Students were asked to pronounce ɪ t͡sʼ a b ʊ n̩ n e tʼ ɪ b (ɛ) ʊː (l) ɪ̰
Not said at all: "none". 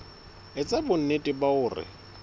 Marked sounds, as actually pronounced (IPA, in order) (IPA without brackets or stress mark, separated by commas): a, r